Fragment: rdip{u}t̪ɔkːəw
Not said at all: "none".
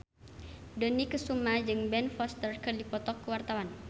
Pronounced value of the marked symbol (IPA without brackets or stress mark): ɔ